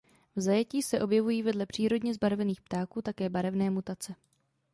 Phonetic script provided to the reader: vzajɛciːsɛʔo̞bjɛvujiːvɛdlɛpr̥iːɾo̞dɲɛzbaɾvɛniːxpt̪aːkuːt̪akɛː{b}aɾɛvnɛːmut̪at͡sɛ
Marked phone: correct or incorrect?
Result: correct